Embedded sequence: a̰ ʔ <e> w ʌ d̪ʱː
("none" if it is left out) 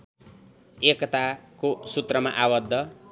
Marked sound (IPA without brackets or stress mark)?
a